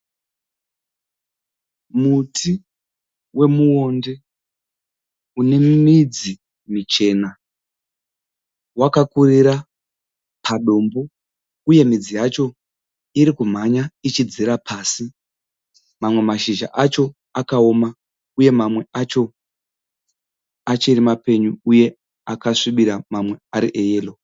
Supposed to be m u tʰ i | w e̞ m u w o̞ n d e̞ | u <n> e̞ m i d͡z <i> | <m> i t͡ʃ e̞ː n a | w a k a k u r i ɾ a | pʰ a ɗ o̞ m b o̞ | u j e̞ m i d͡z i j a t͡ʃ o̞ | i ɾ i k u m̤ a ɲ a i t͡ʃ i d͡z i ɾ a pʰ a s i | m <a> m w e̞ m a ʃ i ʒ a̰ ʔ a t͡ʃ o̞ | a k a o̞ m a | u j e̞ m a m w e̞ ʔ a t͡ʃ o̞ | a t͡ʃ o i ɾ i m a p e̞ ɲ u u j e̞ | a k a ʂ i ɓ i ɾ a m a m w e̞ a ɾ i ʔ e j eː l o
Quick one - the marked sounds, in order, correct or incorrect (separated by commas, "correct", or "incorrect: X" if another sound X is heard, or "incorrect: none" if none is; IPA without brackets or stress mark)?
correct, correct, correct, correct